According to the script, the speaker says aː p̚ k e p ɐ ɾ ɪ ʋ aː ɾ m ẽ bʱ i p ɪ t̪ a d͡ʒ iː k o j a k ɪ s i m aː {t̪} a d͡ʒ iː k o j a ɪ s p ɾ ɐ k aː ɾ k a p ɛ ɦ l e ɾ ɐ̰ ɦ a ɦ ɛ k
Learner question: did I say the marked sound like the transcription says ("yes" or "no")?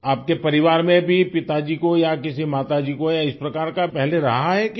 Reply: yes